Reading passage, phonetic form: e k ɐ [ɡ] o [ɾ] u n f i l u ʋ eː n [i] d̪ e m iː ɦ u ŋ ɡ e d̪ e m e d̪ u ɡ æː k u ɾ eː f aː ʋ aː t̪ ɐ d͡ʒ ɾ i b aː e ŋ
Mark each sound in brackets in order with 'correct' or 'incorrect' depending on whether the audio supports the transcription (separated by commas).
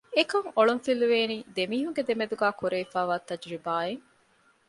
incorrect, incorrect, incorrect